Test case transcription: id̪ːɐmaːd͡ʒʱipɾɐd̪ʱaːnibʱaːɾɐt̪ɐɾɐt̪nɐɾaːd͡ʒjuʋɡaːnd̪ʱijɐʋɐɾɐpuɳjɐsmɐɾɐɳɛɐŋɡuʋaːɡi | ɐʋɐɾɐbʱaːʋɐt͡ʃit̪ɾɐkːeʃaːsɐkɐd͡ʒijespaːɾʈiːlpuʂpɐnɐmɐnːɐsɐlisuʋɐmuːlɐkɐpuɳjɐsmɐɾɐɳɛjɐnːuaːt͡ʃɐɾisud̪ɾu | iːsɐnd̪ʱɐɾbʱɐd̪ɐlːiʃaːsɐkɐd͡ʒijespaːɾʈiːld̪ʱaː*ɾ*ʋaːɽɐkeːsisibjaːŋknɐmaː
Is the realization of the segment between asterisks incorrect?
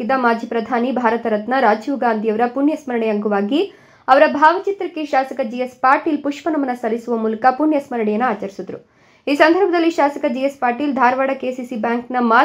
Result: no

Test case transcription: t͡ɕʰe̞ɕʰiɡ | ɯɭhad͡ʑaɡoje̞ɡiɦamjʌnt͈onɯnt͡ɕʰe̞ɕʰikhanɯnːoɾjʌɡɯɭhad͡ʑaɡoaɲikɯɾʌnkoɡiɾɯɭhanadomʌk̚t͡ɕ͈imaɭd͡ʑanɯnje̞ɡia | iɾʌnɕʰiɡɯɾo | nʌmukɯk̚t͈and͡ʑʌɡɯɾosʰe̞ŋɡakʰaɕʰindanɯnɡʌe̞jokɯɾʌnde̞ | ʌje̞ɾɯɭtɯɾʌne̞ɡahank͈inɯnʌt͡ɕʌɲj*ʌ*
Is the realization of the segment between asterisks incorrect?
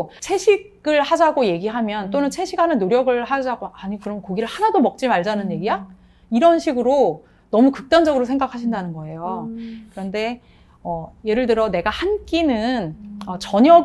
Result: no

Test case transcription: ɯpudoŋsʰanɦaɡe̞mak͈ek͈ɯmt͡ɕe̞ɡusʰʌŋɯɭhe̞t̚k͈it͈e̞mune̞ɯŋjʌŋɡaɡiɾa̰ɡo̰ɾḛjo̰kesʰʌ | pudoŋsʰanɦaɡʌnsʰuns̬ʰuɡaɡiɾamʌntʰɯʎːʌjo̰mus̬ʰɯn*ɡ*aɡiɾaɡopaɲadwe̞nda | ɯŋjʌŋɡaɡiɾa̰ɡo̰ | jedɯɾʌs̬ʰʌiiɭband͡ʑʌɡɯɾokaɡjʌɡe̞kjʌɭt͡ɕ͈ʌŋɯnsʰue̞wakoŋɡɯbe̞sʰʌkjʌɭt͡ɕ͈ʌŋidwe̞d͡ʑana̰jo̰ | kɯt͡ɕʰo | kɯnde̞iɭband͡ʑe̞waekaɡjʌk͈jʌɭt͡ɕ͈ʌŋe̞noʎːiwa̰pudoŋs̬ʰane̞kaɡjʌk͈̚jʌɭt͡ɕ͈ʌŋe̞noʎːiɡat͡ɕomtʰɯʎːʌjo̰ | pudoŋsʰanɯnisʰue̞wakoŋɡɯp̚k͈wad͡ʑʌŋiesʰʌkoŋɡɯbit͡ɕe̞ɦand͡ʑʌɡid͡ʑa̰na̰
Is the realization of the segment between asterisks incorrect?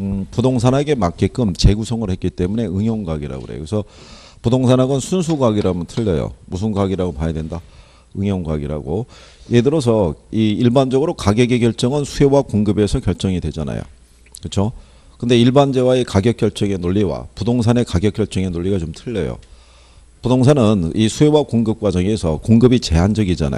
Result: no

